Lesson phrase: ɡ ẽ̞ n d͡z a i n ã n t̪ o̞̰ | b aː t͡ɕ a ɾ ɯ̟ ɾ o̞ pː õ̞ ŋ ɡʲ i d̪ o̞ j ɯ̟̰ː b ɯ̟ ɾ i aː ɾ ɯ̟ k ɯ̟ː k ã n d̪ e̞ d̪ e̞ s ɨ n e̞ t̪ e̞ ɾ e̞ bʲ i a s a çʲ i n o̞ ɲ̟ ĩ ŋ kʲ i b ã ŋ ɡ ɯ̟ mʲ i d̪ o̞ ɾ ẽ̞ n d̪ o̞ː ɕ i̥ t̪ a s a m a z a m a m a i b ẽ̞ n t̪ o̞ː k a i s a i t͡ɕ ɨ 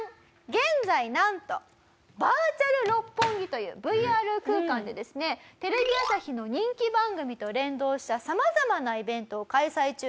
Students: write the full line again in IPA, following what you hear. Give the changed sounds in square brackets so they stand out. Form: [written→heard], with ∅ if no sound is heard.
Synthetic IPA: ɡ ẽ̞ n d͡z a i n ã n t̪ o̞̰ | b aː t͡ɕ a ɾ ɯ̟ ɾ o̞ pː õ̞ ŋ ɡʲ i [d̪→t̪] o̞ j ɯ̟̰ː b ɯ̟ [ɾ→∅] i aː ɾ ɯ̟ k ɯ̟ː k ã n d̪ e̞ d̪ e̞ s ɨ n e̞ t̪ e̞ ɾ e̞ bʲ i a s a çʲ i n o̞ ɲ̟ ĩ ŋ kʲ i b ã ŋ ɡ ɯ̟ mʲ i [d̪→t̪] o̞ ɾ ẽ̞ n d̪ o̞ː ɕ i̥ t̪ a s a m a z a m a [m→n] a i b ẽ̞ n t̪ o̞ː k a i s a i t͡ɕ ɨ